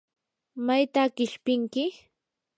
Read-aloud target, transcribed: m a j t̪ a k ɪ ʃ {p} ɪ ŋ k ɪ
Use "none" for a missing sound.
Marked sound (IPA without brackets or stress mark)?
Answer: p